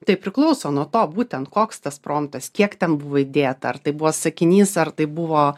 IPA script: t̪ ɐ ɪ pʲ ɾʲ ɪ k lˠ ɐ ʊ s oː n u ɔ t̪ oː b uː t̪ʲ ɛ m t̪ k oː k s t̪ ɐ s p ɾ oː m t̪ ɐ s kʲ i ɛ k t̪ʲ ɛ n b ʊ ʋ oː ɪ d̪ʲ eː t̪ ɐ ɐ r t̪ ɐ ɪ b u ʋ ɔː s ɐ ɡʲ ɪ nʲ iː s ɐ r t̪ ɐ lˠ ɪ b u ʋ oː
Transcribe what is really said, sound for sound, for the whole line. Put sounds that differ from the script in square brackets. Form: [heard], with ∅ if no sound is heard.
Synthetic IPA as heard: t̪ ɐ ɪ pʲ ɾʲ ɪ k lˠ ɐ ʊ s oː n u ɔ t̪ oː b uː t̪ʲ ɛ [n] t̪ k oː k s t̪ ɐ s p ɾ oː m t̪ ɐ s kʲ i ɛ k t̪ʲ ɛ n b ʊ ʋ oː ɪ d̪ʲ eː t̪ ɐ ɐ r t̪ ɐ ɪ b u ʋ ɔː s ɐ [kʲ] ɪ nʲ iː s ɐ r t̪ ɐ [∅] ɪ b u ʋ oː